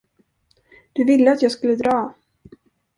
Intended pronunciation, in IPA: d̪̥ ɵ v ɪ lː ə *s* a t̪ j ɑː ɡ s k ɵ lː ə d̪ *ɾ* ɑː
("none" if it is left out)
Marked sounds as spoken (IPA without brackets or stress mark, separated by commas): none, ɾ